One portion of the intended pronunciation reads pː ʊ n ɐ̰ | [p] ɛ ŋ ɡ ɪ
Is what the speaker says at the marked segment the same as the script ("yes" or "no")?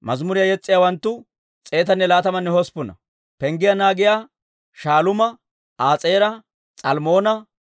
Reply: yes